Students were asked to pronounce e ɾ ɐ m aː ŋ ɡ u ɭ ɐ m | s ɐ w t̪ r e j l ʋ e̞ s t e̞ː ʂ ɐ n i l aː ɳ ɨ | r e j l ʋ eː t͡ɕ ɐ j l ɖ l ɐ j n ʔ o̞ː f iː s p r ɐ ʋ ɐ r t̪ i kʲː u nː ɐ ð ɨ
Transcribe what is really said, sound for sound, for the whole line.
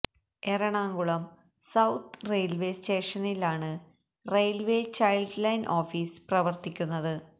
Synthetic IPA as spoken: e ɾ ɐ ɳ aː ŋ ɡ u ɭ ɐ m | s ɐ w t̪ r e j l ʋ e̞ s t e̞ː ʂ ɐ n i l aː ɳ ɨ | r e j l ʋ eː t͡ɕ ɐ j l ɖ l ɐ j n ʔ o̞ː f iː s p r ɐ ʋ ɐ r t̪ i kʲː u nː ɐ ð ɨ

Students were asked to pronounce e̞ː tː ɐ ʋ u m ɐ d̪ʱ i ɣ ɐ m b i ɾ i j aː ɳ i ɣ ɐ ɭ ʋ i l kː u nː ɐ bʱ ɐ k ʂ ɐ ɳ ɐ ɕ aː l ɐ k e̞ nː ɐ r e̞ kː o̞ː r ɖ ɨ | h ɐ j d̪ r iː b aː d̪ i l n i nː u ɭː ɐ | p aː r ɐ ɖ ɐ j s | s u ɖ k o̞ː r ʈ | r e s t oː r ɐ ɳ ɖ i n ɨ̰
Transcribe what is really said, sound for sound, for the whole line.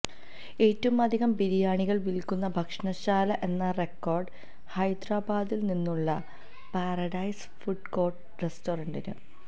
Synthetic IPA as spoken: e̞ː tː ɐ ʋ u m ɐ d̪ʱ i ɣ ɐ m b i ɾ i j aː ɳ i ɣ ɐ ɭ ʋ i l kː u nː ɐ bʱ ɐ k ʂ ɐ ɳ ɐ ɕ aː l ɐ ʔ e̞ nː ɐ r e̞ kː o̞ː r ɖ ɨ | h ɐ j d̪ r aː b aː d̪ i l n i nː u ɭː ɐ | p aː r ɐ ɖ ɐ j s | f u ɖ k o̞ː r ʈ | r e s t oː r ɐ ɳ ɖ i n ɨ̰

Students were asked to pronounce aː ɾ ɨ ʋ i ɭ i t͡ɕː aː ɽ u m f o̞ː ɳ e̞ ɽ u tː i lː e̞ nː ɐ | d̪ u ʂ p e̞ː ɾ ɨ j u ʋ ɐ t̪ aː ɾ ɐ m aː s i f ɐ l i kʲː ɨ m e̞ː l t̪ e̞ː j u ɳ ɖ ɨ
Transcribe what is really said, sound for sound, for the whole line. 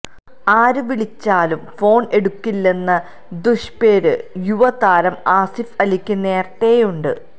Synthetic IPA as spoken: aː ɾ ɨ ʋ i ɭ i t͡ɕː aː l u m f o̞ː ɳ e̞ ɽ u kː i lː e̞ nː ɐ | d̪ u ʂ p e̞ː ɾ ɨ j u ʋ ɐ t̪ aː ɾ ɐ m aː s i f ɐ l i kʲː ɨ n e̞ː r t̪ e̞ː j u ɳ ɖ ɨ

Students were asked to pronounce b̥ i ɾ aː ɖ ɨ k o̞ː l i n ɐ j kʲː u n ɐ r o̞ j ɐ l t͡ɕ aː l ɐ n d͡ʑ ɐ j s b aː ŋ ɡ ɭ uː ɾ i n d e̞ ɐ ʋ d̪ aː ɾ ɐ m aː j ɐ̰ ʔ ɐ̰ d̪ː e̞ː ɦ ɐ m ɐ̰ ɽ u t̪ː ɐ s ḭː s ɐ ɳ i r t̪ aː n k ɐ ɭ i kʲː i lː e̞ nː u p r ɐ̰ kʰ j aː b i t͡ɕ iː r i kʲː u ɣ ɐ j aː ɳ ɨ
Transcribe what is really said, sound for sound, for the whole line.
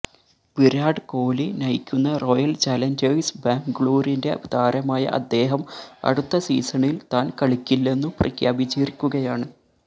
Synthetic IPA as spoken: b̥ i ɾ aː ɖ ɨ k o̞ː l i n ɐ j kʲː u nː ɐ r o̞ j ɐ l t͡ɕ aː l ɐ n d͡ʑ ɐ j s b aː ŋ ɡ ɭ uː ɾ i n d e̞ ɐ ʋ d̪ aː ɾ ɐ m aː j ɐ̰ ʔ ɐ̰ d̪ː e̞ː ɦ ɐ m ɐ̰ ɽ u t̪ː ɐ s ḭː s ɐ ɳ i l t̪ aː n k ɐ ɭ i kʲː i lː e̞ nː u p r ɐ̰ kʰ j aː b i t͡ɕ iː r i kʲː u ɣ ɐ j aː ɳ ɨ

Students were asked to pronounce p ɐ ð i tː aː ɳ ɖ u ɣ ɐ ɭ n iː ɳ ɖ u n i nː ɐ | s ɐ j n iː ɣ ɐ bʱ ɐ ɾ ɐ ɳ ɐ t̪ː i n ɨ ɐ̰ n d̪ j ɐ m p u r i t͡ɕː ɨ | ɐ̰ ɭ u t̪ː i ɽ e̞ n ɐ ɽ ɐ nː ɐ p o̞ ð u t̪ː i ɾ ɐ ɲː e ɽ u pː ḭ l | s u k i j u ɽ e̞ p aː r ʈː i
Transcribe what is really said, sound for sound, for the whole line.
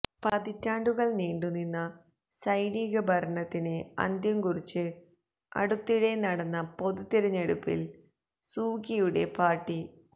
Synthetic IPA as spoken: p ɐ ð i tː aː ɳ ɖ u ɣ ɐ ɭ n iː ɳ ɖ u n i nː ɐ | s ɐ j n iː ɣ ɐ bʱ ɐ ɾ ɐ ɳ ɐ t̪ː i n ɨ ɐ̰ n d̪ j ɐ m k u r i t͡ɕː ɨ | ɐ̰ ɽ u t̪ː i ɽ e̞ n ɐ ɽ ɐ nː ɐ p o̞ ð u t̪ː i ɾ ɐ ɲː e ɽ u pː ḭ l | s uː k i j u ɽ e̞ p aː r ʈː i

